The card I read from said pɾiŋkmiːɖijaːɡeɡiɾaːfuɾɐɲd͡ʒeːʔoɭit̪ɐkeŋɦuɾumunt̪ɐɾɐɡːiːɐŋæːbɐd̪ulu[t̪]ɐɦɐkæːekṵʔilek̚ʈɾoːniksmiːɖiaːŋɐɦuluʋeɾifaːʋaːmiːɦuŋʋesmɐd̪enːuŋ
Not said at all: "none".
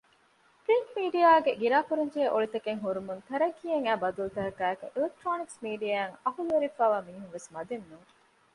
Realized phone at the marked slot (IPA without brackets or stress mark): t̪